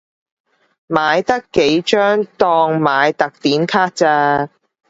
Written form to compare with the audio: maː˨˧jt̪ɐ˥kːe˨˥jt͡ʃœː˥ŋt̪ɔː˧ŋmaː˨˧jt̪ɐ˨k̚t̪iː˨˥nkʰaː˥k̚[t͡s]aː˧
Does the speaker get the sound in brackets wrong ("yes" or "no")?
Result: no